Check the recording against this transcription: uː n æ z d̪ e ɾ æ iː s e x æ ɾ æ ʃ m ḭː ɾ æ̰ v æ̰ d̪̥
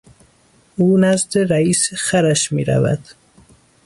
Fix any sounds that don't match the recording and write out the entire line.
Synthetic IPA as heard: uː n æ z d̪ e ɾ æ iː s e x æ ɾ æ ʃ m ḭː ɾ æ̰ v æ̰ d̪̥